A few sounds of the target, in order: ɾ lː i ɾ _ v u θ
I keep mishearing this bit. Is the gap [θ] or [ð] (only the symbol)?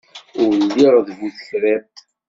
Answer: ð